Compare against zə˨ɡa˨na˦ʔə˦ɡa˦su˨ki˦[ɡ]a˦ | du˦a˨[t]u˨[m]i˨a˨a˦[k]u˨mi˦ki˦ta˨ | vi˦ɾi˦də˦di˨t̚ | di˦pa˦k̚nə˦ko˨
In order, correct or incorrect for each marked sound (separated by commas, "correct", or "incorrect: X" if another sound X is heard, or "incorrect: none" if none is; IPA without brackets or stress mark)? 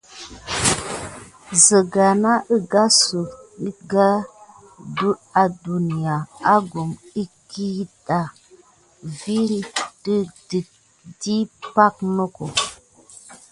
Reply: correct, incorrect: d, incorrect: n, incorrect: ɡ